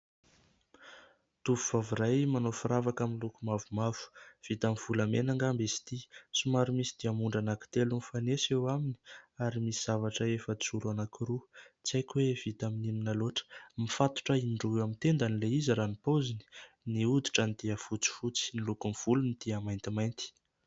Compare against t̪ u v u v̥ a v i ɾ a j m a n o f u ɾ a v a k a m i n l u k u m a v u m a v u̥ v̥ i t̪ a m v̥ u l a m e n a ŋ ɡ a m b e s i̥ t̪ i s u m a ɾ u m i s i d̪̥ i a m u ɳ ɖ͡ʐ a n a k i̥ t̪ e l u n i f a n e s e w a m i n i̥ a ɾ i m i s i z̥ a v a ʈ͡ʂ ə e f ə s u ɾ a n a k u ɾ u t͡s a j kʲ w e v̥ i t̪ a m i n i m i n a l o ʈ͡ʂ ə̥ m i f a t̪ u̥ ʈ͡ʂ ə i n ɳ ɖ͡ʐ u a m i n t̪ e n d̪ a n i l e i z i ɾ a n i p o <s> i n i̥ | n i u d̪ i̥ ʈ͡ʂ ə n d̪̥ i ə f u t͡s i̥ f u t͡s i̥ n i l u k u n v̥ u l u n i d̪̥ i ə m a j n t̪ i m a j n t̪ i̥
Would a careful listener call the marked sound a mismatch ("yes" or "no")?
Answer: yes